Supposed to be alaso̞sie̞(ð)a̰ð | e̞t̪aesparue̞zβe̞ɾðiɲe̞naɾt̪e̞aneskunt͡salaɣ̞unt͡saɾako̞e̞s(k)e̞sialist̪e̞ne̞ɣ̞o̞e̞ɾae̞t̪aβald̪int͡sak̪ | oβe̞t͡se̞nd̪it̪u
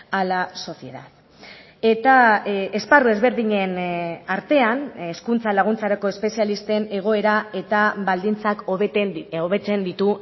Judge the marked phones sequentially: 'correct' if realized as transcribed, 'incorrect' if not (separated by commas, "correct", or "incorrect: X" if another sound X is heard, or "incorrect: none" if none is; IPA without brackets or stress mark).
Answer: correct, incorrect: p